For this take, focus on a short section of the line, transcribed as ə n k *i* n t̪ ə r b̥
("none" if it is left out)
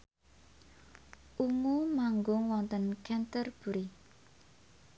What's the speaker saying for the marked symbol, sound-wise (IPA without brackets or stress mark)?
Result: ɛ